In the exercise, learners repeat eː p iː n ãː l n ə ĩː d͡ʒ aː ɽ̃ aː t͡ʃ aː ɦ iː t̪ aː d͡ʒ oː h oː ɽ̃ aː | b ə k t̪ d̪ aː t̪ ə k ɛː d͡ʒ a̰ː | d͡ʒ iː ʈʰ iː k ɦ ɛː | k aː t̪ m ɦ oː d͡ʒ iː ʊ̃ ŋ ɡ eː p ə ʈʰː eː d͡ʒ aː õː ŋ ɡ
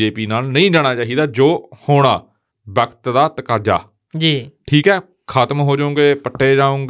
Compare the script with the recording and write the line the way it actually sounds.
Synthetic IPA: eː p iː n aː l n ə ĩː d͡ʒ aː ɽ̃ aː t͡ʃ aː ɦ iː d̪ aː d͡ʒ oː h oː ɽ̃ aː | b ə k t̪ d̪ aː t̪ ə k aː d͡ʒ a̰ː | d͡ʒ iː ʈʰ iː k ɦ ɛː | kʰ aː t̪ m ɦ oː d͡ʒ aː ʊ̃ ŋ ɡ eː p ə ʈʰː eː d͡ʒ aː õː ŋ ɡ